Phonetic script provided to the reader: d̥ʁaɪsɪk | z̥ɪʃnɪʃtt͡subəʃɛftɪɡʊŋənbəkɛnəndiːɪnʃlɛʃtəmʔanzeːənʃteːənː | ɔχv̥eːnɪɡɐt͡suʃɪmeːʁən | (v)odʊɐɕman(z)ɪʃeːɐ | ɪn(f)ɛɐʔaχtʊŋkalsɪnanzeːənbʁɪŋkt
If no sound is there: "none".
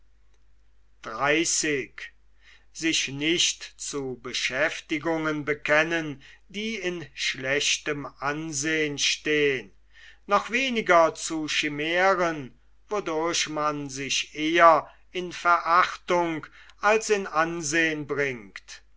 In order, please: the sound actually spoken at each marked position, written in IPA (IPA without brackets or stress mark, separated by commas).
v, z, f